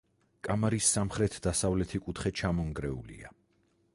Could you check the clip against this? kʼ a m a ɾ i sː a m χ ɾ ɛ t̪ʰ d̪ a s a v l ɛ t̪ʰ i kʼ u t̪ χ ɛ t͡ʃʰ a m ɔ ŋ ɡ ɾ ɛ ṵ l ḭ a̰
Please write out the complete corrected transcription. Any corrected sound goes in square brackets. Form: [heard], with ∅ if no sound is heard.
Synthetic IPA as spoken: kʼ a m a ɾ i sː a m χ ɾ ɛ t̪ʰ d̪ a s a v l ɛ t̪ʰ i kʼ u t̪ χ ɛ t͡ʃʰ a m ɔ ŋ ɡ ɾ ɛ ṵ l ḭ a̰